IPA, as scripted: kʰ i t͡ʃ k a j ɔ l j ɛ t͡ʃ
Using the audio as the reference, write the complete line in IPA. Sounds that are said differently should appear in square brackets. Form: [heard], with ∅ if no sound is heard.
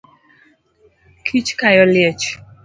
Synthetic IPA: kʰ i t͡ʃ k a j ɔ l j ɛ t͡ʃ